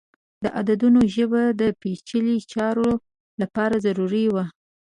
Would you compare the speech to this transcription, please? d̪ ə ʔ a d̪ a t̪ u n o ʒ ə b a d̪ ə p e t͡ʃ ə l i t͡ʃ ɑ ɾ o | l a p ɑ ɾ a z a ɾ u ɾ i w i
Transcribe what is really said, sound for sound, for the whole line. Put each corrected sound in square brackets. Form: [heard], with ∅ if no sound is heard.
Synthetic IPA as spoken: d̪ ə ʔ a d̪ a [d̪] u n o ʒ ə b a d̪ ə p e t͡ʃ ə l i t͡ʃ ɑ ɾ o | l a p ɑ ɾ a z a ɾ u ɾ i w [a]

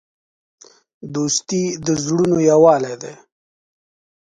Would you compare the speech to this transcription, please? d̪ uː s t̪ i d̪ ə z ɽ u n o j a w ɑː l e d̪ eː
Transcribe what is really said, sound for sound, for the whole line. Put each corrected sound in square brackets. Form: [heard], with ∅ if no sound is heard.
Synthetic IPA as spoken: d̪ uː s t̪ i d̪ ə z ɽ u n o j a w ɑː l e d̪ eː

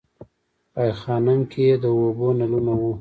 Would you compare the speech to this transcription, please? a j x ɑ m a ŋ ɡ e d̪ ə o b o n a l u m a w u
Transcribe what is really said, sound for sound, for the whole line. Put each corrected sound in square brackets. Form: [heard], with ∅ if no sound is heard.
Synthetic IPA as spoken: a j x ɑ [n] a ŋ [k] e d̪ ə o b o n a l u [n] a w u

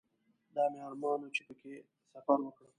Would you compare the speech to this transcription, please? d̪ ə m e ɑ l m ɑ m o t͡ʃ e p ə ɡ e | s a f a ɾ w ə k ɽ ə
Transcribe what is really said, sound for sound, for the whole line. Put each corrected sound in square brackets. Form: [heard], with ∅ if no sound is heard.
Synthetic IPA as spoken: d̪ [ɑ] m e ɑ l m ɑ [n] o t͡ʃ e p ə [k] e | s a f a ɾ w ə k ɽ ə

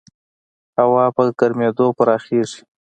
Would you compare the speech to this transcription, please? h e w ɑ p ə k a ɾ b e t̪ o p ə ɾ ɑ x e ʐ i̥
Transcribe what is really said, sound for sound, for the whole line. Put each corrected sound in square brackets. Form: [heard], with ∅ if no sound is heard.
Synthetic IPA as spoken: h [a] w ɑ p ə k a ɾ [m] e [d̪] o p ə ɾ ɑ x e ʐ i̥

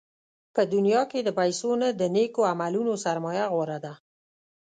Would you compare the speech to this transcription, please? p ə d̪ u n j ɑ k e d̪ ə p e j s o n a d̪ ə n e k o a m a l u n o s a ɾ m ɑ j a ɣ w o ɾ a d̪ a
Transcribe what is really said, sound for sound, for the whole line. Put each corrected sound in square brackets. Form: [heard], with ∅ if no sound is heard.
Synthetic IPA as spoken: p ə d̪ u n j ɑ k e d̪ ə p [a] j s o n a d̪ ə n e k o a m a l u n o s a ɾ m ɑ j a ɣ w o ɾ a d̪ a

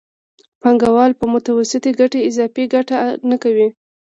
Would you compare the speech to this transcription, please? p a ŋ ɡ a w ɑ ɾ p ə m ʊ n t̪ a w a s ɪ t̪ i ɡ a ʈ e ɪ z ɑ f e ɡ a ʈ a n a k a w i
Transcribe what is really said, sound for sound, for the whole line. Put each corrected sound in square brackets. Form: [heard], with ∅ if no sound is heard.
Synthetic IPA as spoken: p a ŋ ɡ a w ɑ [l] p ə m ʊ [∅] t̪ a w a s ɪ t̪ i ɡ a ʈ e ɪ z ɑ f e ɡ a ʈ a n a k a w i

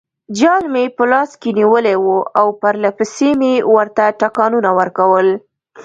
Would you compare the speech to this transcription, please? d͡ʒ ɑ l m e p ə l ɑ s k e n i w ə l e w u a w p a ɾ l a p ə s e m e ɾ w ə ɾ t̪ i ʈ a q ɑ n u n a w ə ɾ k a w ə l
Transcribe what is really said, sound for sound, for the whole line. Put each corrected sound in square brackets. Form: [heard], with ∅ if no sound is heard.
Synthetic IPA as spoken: d͡ʒ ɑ l m e p ə l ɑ s k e n i w ə l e w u a w p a ɾ l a p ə s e m e [∅] w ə ɾ t̪ [a] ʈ a [k] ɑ n u n a w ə ɾ k a w ə l

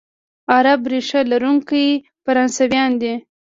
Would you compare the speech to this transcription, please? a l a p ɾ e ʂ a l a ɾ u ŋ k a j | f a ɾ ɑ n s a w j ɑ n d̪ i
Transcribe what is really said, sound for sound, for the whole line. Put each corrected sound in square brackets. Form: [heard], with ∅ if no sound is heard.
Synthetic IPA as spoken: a [ɾ] a [b] ɾ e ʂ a l a ɾ u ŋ k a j | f a ɾ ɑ n s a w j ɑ n d̪ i

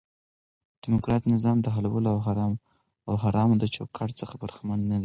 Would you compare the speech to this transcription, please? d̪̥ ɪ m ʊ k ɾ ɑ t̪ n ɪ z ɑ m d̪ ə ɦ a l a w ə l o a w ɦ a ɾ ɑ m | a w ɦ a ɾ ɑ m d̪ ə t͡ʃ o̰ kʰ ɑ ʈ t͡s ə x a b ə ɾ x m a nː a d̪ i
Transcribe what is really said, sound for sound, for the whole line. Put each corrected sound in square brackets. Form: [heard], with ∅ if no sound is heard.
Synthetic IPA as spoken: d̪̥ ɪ m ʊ k ɾ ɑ t̪ n ɪ z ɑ m d̪ ə ɦ a l a w ə l o a w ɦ a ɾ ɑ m | a w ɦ a ɾ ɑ m d̪ ə t͡ʃ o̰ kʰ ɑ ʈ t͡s ə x a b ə ɾ x m a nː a d̪ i

